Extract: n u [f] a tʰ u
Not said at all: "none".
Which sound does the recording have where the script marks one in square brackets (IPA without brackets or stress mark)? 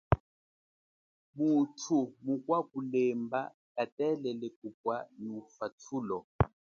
f